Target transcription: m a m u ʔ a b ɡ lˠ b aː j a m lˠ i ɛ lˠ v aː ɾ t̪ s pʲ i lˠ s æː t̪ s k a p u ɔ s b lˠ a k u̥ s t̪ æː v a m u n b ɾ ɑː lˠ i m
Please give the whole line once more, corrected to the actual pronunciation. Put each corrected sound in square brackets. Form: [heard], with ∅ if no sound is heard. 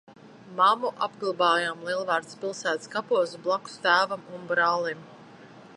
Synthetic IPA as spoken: m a m u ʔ a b ɡ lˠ b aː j a m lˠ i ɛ lˠ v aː ɾ t̪ s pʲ i lˠ s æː t̪ s k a p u ɔ s b lˠ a k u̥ s t̪ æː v a m u n b ɾ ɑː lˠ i m